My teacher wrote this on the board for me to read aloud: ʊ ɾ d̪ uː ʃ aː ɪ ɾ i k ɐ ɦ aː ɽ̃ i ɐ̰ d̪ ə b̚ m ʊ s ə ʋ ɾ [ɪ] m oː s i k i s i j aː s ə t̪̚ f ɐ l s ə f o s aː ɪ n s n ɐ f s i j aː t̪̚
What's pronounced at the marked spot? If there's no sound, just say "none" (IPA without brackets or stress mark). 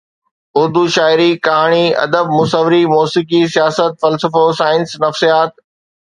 i